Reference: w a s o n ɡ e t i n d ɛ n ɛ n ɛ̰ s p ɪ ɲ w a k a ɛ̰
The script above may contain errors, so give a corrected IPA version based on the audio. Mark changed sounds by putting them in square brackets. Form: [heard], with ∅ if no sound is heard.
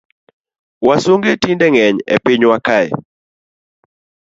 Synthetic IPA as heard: w a s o [ŋ] ɡ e t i n d ɛ [ŋ] ɛ [ɲ] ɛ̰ [∅] p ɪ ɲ w a k a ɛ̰